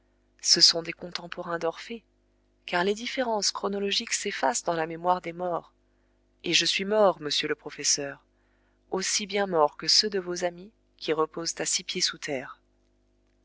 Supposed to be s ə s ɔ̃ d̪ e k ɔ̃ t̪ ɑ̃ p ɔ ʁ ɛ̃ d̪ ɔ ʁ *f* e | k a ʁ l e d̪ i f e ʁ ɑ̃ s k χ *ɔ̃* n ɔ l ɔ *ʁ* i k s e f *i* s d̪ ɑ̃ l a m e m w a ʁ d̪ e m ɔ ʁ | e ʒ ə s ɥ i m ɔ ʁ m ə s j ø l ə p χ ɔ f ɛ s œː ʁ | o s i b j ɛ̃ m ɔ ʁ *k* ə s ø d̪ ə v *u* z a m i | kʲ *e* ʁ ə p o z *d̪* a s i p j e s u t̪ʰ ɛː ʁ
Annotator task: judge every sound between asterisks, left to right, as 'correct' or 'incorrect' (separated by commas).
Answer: correct, incorrect, incorrect, incorrect, correct, incorrect, incorrect, incorrect